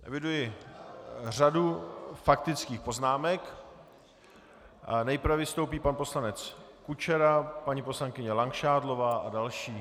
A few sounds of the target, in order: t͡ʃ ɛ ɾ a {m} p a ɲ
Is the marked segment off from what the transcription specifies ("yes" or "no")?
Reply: yes